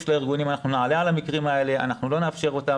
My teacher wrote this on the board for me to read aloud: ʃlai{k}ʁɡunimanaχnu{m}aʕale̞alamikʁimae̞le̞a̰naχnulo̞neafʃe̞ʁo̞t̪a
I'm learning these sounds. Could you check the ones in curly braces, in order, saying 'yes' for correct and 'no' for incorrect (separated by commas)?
no, no